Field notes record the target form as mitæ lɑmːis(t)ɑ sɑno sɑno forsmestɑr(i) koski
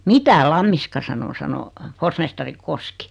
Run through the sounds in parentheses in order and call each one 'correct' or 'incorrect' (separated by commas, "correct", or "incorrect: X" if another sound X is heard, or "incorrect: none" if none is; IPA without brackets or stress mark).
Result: incorrect: k, correct